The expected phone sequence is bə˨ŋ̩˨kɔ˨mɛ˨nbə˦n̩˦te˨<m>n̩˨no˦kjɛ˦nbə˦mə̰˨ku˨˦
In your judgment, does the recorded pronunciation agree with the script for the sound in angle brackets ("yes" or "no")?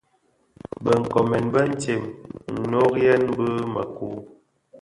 yes